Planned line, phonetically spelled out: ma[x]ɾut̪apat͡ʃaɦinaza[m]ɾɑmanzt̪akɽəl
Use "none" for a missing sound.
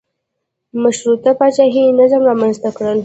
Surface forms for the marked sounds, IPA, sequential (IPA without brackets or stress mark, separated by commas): ʃ, m